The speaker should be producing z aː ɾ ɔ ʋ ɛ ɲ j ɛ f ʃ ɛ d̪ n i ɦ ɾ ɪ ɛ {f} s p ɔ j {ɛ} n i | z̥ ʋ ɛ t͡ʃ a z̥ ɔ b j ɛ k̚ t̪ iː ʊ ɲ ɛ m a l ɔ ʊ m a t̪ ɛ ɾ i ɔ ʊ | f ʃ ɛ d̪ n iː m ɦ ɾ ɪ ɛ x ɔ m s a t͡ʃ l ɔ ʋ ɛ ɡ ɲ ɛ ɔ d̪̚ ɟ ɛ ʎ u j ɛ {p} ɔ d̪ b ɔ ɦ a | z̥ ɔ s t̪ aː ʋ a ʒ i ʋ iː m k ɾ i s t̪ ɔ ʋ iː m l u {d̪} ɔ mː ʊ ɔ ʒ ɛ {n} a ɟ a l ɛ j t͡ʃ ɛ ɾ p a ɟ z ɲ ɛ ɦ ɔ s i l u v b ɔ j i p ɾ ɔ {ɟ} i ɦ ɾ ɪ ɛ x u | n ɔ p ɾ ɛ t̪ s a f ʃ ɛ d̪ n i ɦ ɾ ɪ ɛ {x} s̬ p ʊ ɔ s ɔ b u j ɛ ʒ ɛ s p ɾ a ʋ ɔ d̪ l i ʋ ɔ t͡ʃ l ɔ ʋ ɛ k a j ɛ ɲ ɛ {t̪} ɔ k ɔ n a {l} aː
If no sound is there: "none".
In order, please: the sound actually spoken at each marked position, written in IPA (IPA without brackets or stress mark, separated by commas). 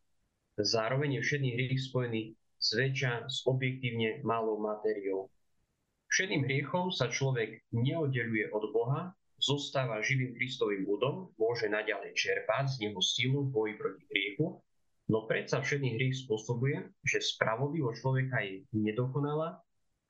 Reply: x, ɛ, ʔ, d̪, n, c, x, d̪, l